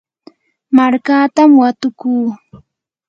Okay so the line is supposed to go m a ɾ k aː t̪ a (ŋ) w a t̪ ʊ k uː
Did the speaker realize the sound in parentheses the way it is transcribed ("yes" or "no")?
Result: no